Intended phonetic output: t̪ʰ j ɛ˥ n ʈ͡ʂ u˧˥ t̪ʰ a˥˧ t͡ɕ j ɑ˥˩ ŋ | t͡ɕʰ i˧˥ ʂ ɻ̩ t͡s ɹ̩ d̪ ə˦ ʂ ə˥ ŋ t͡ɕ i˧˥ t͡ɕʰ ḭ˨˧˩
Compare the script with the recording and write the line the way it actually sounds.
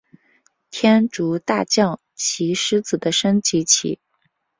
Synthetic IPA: t̪ʰ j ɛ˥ n ʈ͡ʂ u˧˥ t̪ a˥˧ t͡ɕ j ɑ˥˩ ŋ | t͡ɕʰ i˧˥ ʂ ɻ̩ t͡s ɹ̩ d̪ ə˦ ʂ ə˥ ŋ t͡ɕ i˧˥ t͡ɕʰ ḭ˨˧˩